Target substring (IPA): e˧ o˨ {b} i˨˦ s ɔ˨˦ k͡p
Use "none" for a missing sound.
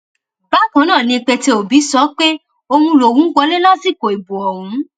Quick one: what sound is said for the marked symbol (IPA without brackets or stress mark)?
b